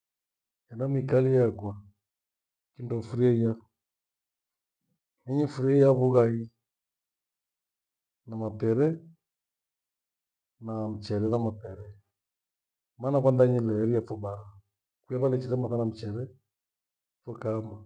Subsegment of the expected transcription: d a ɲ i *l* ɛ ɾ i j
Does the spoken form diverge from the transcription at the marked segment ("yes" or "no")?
no